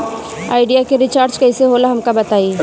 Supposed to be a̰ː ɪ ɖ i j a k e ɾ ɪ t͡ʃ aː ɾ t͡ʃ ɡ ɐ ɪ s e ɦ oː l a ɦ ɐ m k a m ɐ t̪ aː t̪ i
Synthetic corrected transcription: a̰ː ɪ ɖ i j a k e ɾ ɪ t͡ʃ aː ɾ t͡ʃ k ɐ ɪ s e ɦ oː l a ɦ ɐ m k a b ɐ t̪ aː i